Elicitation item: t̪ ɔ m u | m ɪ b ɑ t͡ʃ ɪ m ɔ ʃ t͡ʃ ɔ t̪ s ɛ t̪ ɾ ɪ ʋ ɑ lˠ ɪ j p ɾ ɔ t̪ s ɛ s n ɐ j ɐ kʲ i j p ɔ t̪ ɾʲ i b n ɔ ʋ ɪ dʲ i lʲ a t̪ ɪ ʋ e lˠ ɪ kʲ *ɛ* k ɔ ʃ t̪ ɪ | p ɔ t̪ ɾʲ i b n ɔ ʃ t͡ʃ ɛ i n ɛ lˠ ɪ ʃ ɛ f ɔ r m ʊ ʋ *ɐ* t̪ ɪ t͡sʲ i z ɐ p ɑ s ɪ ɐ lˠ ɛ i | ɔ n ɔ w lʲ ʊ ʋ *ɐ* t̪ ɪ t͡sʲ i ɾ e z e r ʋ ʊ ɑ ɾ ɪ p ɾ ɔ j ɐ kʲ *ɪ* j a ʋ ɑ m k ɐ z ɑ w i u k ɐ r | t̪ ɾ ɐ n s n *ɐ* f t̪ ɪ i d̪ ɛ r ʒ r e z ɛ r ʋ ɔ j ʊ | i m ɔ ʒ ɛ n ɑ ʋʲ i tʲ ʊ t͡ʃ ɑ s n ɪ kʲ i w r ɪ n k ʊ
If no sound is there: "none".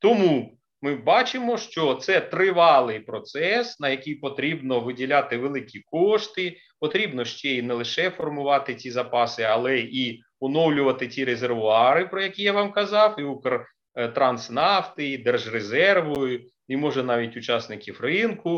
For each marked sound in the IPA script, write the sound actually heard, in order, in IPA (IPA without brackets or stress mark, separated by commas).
i, ɑ, ɐ, i, ɑ